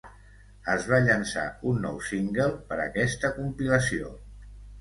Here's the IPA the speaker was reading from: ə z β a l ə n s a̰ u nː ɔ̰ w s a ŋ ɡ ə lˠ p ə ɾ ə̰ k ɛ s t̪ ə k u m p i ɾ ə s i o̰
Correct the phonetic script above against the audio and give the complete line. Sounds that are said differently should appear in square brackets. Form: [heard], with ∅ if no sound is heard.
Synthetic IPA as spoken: ə z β a [ʎ] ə n s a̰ u nː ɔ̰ w s [i] ŋ ɡ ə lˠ p ə ɾ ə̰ k ɛ s t̪ ə k u m p i [l] ə s i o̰